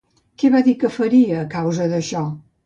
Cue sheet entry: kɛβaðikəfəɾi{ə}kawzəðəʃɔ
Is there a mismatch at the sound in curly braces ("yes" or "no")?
yes